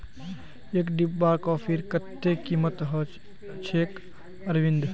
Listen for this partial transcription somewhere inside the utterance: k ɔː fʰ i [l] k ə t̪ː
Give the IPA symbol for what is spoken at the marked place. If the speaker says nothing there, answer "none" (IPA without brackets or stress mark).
ɾ